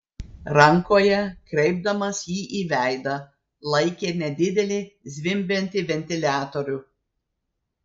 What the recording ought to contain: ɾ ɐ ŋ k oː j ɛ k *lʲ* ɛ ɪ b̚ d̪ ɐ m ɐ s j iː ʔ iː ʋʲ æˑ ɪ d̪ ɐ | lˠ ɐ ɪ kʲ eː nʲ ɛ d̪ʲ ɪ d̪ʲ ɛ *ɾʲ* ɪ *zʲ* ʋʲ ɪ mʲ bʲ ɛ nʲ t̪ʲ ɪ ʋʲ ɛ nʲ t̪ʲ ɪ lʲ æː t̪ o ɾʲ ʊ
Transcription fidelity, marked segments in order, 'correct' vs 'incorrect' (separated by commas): incorrect, incorrect, correct